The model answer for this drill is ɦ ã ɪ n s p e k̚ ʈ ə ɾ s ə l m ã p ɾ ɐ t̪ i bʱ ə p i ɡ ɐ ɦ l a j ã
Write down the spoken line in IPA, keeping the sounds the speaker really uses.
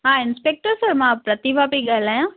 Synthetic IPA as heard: ɦ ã ɪ n s p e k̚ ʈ ə ɾ s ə ɾ m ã p ɾ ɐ t̪ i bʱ a p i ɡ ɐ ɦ l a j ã